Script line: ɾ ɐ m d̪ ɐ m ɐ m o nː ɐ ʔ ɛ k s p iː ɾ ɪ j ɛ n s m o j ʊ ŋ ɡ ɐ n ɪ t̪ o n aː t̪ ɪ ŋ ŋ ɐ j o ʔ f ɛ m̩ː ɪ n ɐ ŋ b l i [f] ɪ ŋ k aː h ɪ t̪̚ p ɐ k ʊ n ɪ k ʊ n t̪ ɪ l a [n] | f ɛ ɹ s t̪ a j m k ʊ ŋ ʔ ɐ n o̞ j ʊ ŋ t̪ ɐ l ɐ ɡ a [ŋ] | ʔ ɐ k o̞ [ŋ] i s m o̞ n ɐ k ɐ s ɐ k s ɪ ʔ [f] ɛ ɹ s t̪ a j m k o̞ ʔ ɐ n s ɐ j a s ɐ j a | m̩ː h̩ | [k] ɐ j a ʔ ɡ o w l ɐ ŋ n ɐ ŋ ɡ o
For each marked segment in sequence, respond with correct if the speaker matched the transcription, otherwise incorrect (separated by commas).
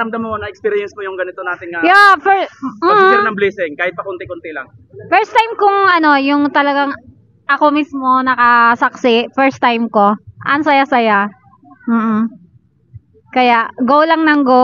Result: incorrect, incorrect, correct, incorrect, correct, correct